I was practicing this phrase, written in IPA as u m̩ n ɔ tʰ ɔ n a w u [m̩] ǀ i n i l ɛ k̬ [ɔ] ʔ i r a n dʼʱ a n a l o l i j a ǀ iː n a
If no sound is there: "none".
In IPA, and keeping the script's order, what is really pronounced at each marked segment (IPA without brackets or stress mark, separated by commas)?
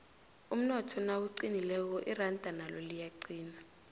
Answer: none, ɔ